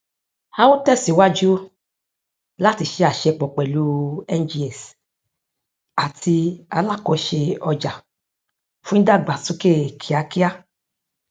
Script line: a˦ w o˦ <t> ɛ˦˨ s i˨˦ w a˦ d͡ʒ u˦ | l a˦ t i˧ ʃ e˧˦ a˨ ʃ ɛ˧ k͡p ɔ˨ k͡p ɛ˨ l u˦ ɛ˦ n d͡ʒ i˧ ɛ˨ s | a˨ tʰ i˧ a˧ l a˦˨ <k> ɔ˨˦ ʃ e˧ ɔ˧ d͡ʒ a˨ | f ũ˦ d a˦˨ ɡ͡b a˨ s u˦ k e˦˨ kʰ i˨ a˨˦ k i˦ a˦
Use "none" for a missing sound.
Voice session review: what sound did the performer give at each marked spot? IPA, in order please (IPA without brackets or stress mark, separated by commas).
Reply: t, k